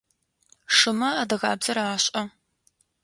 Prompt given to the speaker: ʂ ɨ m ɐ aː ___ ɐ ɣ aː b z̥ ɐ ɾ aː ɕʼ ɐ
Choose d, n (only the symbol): d